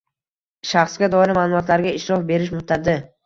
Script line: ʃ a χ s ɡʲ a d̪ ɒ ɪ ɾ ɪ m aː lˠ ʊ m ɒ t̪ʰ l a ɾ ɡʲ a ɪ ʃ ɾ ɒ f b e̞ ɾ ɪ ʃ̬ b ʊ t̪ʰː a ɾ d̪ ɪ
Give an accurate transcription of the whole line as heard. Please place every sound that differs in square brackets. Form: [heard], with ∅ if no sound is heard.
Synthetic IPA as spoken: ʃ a χ s ɡʲ a d̪ ɒ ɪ ɾ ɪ m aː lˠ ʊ m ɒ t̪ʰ l a ɾ ɡʲ a ɪ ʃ ɾ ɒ f b e̞ ɾ ɪ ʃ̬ [m] ʊ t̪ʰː a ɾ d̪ ɪ